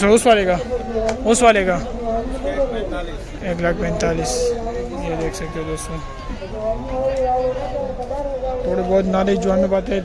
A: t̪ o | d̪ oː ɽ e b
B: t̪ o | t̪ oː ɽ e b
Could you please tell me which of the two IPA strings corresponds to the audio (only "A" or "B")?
B